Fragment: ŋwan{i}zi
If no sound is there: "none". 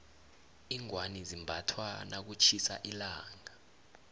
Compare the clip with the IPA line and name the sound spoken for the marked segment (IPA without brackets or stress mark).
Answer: i